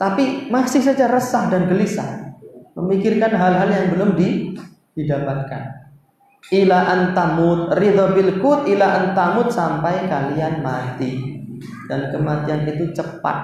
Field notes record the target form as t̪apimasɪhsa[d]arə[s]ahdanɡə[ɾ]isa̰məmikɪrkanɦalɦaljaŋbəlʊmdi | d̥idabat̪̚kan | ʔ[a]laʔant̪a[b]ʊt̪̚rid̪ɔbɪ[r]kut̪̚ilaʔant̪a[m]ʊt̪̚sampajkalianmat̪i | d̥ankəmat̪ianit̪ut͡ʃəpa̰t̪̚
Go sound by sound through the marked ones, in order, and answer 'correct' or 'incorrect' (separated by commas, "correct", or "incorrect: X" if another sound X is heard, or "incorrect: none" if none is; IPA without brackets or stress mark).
incorrect: d͡ʒ, correct, incorrect: l, incorrect: i, incorrect: m, incorrect: l, correct